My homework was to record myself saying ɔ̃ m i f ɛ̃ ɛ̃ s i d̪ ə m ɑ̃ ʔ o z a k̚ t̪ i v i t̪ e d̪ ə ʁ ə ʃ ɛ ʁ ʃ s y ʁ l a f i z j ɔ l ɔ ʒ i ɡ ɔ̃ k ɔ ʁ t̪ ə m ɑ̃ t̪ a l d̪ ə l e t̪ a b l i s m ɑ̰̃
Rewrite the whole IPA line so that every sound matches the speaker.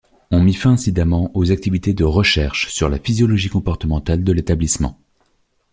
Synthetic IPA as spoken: ɔ̃ m i f ɛ̃ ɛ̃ s i d̪ a m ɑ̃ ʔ o z a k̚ t̪ i v i t̪ e d̪ ə ʁ ə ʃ ɛ ʁ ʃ s y ʁ l a f i z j ɔ l ɔ ʒ i k ɔ̃ p ɔ ʁ t̪ ə m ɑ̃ t̪ a l d̪ ə l e t̪ a b l i s m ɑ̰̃